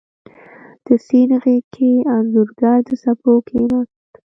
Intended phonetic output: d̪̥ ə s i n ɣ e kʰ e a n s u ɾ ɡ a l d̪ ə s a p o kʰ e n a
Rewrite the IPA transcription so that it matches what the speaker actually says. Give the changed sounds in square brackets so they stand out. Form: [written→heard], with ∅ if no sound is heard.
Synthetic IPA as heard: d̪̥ ə s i n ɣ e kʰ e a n [s→z] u ɾ ɡ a [l→ɾ] d̪ ə s a p o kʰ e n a